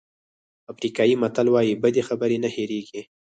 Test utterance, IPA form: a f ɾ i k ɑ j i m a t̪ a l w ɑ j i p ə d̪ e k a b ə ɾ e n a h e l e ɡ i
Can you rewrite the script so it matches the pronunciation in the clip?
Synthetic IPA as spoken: a f ɾ i k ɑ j i m a t̪ a l w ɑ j i b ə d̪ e x a b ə ɾ e n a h e ɾ e ɡ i